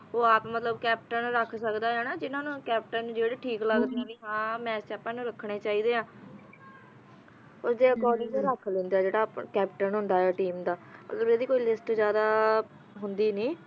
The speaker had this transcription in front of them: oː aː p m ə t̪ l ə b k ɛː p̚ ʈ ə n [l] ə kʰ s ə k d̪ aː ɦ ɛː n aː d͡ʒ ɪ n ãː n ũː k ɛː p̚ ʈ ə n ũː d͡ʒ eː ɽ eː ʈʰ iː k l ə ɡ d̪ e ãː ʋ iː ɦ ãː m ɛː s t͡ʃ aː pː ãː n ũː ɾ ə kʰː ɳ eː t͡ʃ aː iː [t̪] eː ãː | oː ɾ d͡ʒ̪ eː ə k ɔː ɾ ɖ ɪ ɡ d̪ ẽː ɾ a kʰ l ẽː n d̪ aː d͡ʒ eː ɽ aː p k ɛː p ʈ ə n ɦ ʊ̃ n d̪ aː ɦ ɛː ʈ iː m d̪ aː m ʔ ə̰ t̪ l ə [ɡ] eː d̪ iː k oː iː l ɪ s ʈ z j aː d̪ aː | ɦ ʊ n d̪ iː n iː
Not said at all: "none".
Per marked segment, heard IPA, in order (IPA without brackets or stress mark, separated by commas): ɾ, d̪, b